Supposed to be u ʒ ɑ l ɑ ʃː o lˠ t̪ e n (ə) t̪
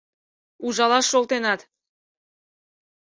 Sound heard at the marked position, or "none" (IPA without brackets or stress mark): ɑ